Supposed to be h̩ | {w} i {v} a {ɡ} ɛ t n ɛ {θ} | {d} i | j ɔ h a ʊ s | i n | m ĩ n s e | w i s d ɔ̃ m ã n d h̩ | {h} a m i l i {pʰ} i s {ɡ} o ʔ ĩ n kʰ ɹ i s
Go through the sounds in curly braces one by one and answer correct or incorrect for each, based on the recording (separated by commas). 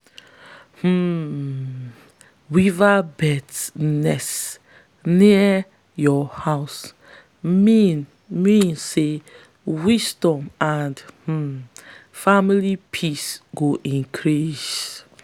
correct, correct, incorrect, incorrect, incorrect, incorrect, correct, correct